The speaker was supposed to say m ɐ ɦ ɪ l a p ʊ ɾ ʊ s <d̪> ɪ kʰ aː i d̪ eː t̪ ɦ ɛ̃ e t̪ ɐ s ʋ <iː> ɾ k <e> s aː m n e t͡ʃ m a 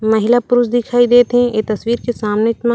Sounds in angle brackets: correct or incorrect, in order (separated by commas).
correct, correct, correct